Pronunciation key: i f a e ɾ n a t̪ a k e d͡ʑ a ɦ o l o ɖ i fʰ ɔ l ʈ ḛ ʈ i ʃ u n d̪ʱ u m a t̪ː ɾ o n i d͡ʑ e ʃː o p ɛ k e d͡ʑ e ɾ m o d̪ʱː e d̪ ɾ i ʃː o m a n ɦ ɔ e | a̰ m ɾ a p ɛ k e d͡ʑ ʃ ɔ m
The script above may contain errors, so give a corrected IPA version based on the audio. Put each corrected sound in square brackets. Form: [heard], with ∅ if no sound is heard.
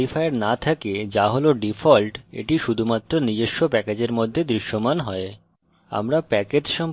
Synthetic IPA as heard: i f a e ɾ n a [t̪ʰ] a k e d͡ʑ a ɦ o l o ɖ i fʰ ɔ l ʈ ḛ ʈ i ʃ u [∅] d̪ʱ u m a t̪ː ɾ o n i d͡ʑ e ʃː o p ɛ k e d͡ʑ e ɾ m o d̪ʱː e d̪ ɾ i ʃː o m a n ɦ ɔ e | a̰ m ɾ a p ɛ k e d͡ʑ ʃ ɔ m